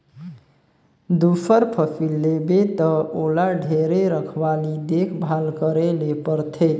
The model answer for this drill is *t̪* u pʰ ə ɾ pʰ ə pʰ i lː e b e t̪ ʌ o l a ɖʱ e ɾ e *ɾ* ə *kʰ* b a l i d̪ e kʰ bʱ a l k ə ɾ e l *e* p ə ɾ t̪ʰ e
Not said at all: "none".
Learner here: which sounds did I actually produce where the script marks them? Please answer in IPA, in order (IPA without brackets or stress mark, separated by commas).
d̪, ɾ, kʰ, e